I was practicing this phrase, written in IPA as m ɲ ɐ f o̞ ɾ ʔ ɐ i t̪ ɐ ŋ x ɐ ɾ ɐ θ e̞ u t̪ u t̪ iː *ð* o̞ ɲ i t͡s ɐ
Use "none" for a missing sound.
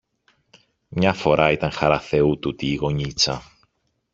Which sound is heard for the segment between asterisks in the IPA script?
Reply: ɣ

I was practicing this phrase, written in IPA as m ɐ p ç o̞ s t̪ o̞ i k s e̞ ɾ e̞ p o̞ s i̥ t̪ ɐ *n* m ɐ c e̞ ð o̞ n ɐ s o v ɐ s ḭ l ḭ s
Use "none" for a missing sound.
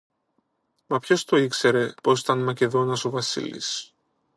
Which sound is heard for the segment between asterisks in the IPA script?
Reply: n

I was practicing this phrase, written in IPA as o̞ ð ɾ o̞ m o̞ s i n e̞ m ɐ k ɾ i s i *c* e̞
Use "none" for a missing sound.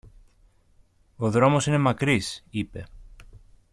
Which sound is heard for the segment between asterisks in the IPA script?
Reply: p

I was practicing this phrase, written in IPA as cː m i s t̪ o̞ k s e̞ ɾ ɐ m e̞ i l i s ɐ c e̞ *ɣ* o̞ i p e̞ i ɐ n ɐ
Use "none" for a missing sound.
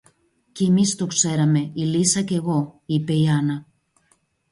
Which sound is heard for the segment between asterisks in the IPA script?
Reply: ɣ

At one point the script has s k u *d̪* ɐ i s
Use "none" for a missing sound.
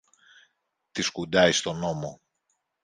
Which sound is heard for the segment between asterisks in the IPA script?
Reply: d̪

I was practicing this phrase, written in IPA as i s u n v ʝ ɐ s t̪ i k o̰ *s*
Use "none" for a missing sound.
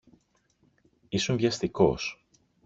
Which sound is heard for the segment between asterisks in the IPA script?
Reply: s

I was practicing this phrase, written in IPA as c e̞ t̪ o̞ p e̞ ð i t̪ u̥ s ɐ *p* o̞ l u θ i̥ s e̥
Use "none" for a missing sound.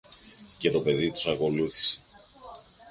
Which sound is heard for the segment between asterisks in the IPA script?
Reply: k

